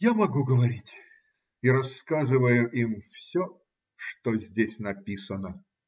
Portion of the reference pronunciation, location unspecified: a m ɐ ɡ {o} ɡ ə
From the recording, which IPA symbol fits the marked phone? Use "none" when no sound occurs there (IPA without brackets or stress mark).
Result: u